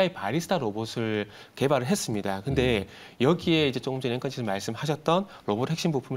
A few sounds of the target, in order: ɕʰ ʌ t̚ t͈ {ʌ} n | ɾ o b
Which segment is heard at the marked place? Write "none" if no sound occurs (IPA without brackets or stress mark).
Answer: ʌ